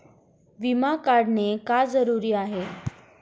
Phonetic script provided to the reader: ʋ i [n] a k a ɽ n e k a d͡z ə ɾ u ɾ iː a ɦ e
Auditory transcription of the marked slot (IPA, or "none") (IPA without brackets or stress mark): m